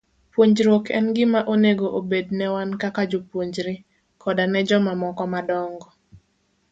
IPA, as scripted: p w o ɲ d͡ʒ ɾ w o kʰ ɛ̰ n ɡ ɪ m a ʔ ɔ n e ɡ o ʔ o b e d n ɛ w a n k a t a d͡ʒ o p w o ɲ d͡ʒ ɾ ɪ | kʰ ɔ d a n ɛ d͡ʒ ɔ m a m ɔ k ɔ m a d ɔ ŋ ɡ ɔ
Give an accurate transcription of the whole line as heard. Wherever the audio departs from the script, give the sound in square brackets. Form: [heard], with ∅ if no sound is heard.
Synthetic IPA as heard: p w o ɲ d͡ʒ ɾ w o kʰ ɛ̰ n ɡ ɪ m a ʔ [o] n e ɡ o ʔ o b e d n ɛ w a n k a [k] a d͡ʒ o p w o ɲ d͡ʒ ɾ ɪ | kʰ ɔ d a n ɛ d͡ʒ ɔ m a m ɔ k ɔ m a d ɔ ŋ ɡ ɔ

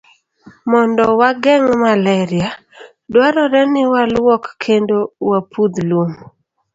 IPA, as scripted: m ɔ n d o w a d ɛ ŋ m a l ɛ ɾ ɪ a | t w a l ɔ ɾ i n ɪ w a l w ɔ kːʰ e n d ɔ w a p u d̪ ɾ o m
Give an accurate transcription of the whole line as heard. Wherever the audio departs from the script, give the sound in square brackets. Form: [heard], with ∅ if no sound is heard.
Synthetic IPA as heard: m ɔ n d [ɔ] w a [ɡ] ɛ ŋ m a l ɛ ɾ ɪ a | [d] w a [ɾ] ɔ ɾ [ɛ] n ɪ w a l w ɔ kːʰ e n d [o] w a p u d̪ [l] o m

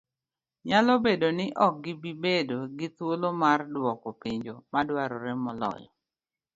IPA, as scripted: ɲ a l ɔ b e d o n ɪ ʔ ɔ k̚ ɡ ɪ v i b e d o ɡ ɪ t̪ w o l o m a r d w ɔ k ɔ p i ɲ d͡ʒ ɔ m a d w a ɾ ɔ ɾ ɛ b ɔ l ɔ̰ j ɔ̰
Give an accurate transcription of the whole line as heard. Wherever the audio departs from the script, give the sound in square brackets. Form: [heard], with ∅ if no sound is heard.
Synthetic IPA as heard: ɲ a l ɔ b e d o n ɪ ʔ ɔ k̚ ɡ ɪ [b] i b e d o ɡ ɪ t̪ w o l o m a r d w ɔ k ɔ p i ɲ d͡ʒ [o] m a d w a ɾ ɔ ɾ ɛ [m] ɔ l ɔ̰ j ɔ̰

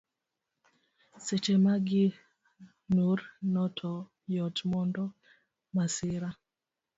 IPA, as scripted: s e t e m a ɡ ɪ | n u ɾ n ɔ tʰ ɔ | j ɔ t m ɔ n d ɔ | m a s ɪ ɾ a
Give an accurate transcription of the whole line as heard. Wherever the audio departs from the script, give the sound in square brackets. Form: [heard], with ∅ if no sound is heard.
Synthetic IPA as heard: s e [t͡ʃ] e m a ɡ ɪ | n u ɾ n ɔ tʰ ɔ | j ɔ t m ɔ n d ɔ | m a s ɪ ɾ a

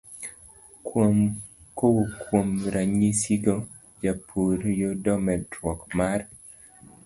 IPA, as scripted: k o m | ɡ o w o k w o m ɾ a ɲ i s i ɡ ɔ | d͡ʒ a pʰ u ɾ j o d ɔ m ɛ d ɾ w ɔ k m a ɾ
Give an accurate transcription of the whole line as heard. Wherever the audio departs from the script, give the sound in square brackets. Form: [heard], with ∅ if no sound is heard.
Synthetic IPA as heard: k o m | [k] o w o k w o m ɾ a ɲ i s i ɡ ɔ | d͡ʒ a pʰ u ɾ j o d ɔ m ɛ d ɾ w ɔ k m a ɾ

